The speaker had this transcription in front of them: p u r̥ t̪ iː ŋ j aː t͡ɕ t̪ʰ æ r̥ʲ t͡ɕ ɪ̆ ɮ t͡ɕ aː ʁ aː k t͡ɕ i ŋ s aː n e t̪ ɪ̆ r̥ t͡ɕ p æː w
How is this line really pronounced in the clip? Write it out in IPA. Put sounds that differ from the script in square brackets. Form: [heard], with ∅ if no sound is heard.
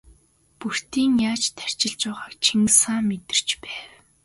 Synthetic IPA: p u r̥ t̪ iː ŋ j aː t͡ɕ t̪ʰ æ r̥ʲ t͡ɕ ɪ̆ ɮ t͡ɕ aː ʁ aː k [t͡ɕʰ] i ŋ s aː [m] e t̪ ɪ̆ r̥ t͡ɕ p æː w